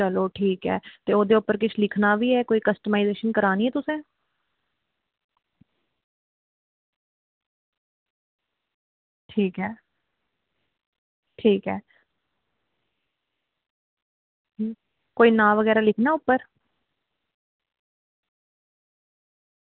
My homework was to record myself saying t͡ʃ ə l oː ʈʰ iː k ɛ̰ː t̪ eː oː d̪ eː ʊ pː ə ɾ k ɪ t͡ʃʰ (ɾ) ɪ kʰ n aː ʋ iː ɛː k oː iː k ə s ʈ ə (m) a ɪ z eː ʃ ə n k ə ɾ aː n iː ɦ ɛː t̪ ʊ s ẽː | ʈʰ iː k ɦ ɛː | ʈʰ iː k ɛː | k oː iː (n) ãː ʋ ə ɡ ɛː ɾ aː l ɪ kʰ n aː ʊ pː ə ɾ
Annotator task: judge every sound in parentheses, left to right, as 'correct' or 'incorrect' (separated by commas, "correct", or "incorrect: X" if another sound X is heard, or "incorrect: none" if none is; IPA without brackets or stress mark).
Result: incorrect: l, correct, correct